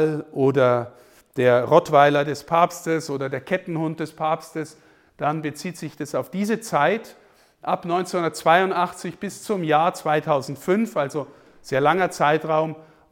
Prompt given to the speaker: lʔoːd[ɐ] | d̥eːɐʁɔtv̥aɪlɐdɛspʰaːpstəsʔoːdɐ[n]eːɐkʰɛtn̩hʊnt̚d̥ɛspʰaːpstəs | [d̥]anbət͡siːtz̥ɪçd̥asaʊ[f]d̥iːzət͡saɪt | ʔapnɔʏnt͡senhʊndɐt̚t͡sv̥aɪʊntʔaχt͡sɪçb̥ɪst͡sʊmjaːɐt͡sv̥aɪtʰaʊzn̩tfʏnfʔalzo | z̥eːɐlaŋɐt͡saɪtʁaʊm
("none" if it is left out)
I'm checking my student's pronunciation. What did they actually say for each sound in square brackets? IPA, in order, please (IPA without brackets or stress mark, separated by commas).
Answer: ɐ, d, d̥, f